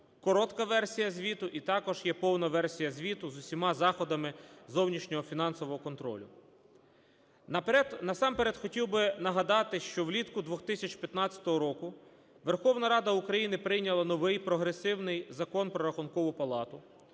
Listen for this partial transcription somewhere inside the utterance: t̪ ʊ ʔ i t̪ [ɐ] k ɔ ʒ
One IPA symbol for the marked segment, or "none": ɑ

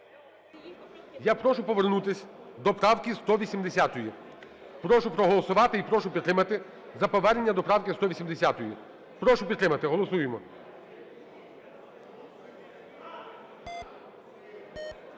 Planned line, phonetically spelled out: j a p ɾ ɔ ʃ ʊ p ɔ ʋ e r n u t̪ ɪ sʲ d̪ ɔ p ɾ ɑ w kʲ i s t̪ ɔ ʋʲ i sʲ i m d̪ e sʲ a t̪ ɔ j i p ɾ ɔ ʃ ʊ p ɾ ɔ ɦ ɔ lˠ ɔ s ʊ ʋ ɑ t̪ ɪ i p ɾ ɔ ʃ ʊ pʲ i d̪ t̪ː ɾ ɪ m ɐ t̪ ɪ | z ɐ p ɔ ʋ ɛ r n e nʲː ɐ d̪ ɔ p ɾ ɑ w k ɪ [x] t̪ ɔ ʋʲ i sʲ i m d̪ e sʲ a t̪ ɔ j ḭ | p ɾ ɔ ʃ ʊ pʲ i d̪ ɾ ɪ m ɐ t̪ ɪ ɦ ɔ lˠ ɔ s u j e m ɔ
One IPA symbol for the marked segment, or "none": s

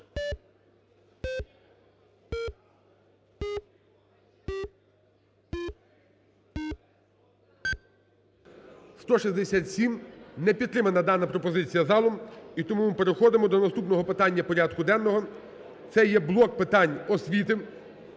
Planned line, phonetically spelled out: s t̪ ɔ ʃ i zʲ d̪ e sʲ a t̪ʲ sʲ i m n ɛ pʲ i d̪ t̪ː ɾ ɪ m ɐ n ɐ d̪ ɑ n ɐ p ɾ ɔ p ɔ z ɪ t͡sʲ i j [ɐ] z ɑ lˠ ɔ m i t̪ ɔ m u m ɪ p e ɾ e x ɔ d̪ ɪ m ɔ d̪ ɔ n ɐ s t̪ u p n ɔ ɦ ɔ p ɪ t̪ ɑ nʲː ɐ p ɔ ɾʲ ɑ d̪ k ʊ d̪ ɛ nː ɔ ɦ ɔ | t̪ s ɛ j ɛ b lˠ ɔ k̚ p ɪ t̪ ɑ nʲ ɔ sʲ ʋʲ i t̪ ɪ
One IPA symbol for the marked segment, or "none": ɐ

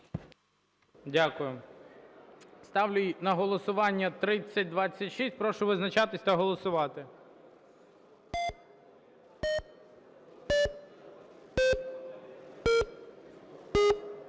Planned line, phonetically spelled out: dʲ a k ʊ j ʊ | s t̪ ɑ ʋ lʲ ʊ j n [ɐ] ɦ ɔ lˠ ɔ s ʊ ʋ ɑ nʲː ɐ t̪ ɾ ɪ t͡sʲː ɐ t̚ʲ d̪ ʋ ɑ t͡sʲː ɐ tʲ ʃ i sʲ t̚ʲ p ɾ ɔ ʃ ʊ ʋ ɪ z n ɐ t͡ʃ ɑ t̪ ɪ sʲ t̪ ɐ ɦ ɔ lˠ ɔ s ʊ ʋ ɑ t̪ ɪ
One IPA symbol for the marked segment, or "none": ɐ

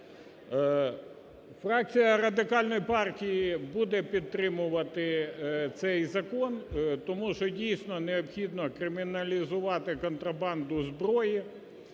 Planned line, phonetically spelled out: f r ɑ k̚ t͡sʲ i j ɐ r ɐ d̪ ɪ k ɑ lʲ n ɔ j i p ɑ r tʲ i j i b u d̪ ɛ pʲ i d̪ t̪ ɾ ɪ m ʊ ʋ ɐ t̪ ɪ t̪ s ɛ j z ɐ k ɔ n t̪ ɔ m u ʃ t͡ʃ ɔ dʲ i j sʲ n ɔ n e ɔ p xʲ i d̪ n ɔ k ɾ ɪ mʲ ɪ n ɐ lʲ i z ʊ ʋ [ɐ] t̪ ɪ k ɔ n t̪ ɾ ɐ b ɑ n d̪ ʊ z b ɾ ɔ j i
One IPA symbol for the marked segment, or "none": ɑ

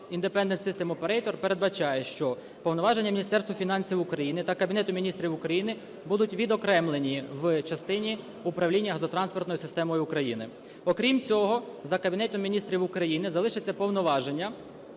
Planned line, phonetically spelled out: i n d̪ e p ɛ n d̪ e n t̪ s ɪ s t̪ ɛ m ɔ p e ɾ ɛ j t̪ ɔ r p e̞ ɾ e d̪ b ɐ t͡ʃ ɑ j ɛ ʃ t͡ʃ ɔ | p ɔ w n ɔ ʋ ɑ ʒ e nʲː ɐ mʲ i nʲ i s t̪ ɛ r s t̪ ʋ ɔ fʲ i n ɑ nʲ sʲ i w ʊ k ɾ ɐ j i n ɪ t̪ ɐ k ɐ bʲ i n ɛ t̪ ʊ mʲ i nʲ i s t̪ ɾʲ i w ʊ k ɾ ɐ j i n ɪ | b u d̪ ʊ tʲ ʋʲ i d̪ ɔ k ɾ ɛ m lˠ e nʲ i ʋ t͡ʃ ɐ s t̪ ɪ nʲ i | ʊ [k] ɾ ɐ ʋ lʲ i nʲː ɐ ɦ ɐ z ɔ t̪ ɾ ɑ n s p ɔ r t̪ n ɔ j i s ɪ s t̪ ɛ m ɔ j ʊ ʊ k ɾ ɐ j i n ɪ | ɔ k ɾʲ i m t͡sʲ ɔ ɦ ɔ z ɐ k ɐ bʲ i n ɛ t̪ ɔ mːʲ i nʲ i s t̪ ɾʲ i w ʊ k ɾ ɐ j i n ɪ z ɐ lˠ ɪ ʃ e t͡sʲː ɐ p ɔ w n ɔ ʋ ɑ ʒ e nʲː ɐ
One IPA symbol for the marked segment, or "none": p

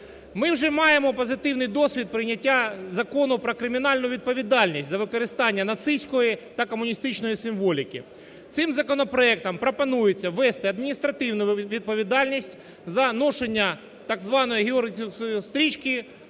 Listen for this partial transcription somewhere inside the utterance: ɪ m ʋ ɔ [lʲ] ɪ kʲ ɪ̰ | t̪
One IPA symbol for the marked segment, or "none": lʲ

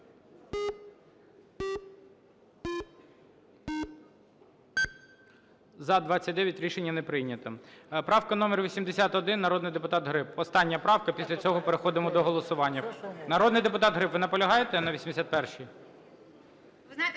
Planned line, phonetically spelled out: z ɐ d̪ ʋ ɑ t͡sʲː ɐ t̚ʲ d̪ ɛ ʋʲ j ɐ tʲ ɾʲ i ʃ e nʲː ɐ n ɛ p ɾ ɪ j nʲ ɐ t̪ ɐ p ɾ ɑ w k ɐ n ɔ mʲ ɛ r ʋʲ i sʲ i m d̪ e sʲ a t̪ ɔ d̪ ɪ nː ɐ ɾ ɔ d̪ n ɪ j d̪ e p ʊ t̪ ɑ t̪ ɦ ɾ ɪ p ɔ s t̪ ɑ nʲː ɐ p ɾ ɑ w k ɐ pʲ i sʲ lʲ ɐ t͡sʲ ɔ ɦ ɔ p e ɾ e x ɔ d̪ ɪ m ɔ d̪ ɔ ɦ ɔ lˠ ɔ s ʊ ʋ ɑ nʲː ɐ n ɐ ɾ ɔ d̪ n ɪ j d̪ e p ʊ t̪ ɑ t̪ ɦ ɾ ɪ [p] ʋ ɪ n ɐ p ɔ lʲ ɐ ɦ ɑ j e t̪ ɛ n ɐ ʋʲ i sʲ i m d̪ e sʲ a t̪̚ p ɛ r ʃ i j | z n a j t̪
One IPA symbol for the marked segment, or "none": p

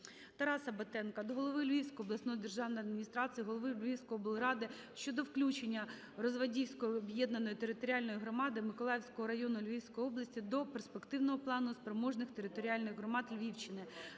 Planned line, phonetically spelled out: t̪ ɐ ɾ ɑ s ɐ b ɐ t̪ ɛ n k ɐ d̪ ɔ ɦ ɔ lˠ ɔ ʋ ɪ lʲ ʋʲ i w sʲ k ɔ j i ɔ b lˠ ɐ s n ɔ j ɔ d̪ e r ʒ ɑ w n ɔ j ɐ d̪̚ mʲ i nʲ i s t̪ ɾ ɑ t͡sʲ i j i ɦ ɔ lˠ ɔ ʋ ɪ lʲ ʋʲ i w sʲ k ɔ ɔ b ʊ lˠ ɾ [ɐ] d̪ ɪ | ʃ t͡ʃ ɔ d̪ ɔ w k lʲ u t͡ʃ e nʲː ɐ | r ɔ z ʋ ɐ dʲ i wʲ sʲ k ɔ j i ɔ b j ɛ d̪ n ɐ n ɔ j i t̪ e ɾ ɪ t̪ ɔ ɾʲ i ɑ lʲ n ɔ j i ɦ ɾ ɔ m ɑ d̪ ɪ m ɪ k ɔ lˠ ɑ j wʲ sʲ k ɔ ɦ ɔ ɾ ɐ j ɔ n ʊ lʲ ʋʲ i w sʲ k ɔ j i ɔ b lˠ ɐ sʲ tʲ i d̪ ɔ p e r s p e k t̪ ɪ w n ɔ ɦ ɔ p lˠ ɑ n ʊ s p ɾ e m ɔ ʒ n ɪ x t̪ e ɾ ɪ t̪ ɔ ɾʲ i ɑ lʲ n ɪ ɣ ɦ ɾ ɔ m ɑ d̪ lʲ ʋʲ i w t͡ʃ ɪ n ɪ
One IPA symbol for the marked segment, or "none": ɑ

